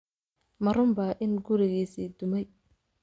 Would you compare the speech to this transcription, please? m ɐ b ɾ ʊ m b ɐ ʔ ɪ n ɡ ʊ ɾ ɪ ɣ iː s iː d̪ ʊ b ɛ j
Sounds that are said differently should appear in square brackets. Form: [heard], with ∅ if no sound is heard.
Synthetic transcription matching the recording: m ɐ [∅] ɾ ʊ m b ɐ ʔ ɪ n ɡ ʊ ɾ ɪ ɣ iː s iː d̪ ʊ [m] ɛ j